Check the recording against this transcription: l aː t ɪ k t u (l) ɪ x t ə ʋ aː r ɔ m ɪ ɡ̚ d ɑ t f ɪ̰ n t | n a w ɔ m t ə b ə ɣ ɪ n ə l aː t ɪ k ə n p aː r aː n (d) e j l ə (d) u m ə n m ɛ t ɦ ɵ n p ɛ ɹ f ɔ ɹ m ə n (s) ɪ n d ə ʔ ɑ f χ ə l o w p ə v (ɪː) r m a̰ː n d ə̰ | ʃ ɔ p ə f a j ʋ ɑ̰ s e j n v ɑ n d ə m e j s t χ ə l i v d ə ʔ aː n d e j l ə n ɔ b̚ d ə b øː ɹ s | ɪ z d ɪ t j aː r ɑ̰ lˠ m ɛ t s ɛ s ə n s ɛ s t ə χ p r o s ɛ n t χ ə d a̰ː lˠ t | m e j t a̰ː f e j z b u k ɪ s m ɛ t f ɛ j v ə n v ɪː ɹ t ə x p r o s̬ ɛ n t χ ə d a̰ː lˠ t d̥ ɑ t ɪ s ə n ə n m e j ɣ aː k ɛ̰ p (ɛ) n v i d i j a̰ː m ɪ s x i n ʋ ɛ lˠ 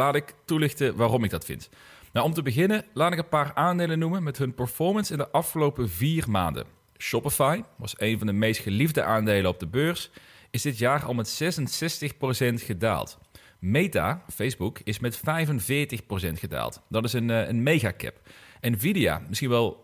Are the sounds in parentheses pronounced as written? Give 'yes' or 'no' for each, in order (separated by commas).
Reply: yes, yes, no, yes, no, yes